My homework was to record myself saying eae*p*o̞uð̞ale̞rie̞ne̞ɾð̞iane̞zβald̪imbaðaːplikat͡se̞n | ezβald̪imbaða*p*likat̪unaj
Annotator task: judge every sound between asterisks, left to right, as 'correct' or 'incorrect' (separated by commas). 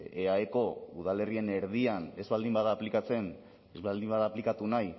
incorrect, correct